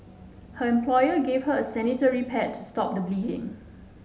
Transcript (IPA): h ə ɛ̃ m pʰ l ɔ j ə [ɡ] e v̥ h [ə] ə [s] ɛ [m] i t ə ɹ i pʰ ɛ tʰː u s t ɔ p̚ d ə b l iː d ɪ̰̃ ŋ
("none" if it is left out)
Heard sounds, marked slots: ɡ, ə, s, n

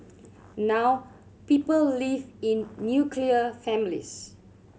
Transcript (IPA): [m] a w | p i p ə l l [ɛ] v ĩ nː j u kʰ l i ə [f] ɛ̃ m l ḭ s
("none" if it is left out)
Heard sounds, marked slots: n, i, f

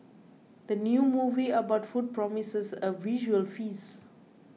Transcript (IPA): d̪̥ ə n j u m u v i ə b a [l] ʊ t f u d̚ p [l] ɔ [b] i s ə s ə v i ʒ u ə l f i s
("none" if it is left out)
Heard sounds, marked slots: none, ɹ, m

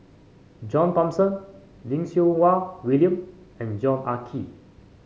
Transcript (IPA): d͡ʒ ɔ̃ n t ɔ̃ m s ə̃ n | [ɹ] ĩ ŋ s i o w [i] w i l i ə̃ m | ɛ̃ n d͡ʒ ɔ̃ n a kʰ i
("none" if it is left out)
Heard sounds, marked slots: l, a

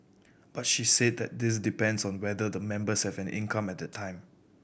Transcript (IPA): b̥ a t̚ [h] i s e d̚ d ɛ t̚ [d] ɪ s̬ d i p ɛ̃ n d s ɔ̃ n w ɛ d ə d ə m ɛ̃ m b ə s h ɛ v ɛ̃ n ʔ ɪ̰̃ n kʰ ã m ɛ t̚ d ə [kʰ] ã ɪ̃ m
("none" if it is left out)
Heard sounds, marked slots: ʃ, d, tʰ

